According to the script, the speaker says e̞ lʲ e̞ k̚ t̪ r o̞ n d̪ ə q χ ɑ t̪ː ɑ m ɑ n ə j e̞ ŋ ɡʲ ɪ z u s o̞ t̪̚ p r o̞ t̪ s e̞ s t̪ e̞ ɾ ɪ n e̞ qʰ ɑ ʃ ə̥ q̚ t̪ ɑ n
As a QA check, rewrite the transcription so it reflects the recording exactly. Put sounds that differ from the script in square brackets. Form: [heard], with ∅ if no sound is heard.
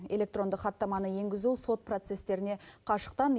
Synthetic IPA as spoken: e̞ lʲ e̞ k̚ t̪ r o̞ n d̪ ə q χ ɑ t̪ː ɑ m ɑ n ə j e̞ ŋ ɡʲ ɪ z u s o̞ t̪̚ p r o̞ t̪ s e̞ s t̪ e̞ ɾ ɪ n e̞ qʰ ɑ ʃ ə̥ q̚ t̪ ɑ n